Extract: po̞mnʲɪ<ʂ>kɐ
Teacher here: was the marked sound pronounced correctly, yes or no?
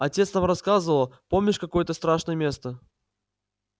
yes